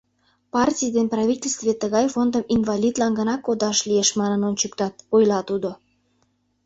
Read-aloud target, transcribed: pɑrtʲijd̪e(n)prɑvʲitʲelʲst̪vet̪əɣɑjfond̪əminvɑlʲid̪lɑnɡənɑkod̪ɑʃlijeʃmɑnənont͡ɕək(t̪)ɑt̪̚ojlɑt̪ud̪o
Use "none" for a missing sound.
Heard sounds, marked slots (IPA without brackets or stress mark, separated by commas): n, t̪